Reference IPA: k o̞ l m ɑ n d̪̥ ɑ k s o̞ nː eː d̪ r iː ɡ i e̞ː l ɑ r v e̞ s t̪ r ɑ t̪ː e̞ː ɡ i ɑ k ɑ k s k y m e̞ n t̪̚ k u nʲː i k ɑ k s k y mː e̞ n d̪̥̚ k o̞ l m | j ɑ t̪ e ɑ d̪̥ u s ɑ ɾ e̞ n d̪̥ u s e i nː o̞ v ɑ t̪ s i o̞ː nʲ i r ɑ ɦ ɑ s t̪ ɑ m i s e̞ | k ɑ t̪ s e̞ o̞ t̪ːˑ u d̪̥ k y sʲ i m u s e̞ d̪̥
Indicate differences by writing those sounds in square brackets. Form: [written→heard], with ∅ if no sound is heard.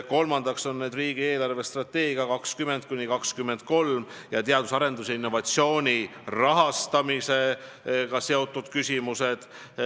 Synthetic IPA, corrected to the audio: k o̞ l m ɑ n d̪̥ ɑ k s o̞ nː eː d̪ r iː ɡ i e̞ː l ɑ r v e̞ s t̪ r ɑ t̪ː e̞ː ɡ i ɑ k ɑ k s k y m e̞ n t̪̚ k u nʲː i k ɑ k s k y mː e̞ n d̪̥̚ k o̞ l m | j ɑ t̪ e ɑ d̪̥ u s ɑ ɾ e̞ n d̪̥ u s e i nː o̞ v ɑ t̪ s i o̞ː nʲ i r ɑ ɦ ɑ s t̪ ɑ m i s e̞ | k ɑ [t̪→∅] s e̞ o̞ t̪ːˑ u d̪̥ k y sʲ i m u s e̞ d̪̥